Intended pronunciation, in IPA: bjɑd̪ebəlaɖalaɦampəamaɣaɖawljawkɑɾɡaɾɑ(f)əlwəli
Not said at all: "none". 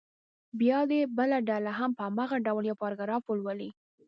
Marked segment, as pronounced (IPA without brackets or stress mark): f